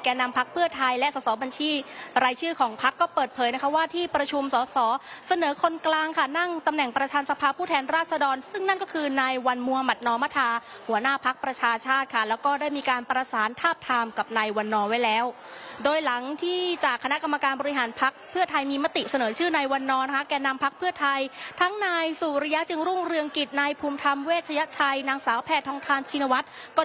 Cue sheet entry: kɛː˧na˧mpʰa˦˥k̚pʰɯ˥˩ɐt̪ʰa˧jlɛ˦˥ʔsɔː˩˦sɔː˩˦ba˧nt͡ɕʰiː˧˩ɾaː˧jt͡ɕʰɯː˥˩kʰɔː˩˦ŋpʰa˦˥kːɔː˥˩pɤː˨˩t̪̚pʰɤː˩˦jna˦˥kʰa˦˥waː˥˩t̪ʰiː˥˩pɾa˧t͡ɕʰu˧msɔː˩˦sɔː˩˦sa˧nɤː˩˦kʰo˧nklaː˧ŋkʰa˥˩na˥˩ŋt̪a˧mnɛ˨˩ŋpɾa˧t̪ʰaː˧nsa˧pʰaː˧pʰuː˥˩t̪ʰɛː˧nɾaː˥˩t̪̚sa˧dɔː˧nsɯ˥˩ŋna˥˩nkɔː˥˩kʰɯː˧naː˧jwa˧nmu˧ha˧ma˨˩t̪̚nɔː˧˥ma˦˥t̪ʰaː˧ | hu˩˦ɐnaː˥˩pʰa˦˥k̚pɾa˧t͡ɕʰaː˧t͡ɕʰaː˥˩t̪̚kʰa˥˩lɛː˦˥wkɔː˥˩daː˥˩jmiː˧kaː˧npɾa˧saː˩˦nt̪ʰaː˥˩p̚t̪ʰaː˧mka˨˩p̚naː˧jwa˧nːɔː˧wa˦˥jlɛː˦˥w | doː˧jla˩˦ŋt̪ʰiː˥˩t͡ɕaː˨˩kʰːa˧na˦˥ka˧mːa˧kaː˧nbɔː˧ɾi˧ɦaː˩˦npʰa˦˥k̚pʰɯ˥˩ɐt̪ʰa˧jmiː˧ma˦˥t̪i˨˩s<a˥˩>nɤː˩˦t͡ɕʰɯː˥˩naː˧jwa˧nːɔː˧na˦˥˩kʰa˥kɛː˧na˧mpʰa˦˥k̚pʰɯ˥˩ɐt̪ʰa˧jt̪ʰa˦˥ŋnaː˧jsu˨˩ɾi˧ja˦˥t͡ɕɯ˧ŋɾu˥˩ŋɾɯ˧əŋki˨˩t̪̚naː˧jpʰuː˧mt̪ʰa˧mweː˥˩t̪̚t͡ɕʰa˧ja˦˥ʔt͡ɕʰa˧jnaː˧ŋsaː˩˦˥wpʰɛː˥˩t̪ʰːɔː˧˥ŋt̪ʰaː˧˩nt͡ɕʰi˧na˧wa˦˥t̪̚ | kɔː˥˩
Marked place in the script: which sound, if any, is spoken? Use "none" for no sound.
a˧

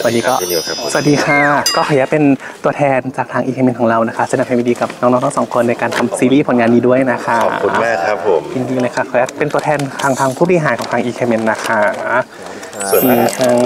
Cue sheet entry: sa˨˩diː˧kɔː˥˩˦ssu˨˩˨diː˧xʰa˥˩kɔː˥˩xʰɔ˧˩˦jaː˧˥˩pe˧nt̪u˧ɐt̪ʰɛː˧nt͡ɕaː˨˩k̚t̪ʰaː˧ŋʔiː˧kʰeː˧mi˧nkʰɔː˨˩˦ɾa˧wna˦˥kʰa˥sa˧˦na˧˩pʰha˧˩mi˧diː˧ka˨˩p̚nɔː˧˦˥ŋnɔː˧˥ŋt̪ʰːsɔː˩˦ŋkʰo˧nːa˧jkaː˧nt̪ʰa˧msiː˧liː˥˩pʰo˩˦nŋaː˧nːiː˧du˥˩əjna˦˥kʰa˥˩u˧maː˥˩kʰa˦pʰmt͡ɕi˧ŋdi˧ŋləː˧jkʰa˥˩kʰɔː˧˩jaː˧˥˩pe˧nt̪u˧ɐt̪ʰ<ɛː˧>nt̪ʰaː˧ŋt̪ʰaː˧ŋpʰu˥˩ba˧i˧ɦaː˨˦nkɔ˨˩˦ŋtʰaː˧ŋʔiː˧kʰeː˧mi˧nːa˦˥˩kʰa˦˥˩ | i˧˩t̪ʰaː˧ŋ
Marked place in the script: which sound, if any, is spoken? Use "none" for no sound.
ɛː˧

